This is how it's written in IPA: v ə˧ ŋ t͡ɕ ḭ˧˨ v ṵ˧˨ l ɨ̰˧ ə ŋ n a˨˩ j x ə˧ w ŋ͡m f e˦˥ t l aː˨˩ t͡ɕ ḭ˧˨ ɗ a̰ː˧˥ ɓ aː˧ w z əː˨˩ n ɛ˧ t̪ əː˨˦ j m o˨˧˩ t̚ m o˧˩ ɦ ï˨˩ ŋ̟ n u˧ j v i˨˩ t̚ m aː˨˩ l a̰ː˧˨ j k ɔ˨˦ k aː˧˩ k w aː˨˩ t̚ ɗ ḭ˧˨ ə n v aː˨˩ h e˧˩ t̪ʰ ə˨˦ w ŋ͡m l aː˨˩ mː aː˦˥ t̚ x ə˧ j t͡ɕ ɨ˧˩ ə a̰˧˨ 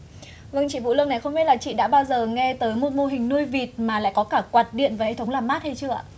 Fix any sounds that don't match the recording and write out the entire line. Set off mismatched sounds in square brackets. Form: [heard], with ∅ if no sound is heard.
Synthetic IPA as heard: v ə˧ ŋ t͡ɕ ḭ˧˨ v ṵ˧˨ l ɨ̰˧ ə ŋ n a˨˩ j x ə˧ w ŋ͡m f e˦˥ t l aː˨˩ t͡ɕ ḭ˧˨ ɗ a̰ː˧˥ ɓ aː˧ w z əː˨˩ [ŋ] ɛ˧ t̪ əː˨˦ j m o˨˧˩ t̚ m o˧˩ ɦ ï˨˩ ŋ̟ n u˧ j v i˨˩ t̚ m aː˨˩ l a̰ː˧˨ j k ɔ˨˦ k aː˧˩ k w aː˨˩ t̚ ɗ ḭ˧˨ ə n v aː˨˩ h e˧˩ t̪ʰ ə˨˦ w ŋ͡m l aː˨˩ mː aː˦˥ t̚ [h] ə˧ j t͡ɕ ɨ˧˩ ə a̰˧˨